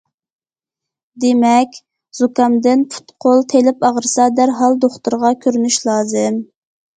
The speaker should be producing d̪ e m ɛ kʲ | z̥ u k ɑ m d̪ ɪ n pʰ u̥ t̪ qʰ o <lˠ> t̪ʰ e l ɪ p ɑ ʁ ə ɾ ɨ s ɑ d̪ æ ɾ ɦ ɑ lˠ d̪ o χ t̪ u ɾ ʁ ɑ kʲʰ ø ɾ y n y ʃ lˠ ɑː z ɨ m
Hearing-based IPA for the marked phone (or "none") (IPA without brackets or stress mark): lˠ